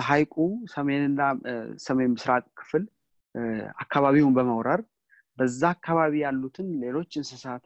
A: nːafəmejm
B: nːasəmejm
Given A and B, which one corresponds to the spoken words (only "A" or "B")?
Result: B